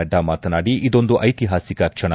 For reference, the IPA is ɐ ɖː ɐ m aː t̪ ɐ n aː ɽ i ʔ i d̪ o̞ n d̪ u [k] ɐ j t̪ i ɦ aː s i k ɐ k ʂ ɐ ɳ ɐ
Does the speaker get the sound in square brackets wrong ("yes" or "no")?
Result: yes